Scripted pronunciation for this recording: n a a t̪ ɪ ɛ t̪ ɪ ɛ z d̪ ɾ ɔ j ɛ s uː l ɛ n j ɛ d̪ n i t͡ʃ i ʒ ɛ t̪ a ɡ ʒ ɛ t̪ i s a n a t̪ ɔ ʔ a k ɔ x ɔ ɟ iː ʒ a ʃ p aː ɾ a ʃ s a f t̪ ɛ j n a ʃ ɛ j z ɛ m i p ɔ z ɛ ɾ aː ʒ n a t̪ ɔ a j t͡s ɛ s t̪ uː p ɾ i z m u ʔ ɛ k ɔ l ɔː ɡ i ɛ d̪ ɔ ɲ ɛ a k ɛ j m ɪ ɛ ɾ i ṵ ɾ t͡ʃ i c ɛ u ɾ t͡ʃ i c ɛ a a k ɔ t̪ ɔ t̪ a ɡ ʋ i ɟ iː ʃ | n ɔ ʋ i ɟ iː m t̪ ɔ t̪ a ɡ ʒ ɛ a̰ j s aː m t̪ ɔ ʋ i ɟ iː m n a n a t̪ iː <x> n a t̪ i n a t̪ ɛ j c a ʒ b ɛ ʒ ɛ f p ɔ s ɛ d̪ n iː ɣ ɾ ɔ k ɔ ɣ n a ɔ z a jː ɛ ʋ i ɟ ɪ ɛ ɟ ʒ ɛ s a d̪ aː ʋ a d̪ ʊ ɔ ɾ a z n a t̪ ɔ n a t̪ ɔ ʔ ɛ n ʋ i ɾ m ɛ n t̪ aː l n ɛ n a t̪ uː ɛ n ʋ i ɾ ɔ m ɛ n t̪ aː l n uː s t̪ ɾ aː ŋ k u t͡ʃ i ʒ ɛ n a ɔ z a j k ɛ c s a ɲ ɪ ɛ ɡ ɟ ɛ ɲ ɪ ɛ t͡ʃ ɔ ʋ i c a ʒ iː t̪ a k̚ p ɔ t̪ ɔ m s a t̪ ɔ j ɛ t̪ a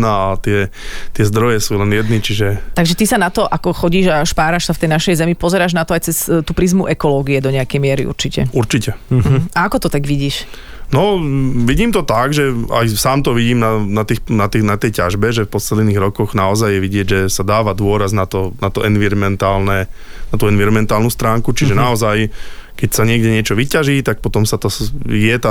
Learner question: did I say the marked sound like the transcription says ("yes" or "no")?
yes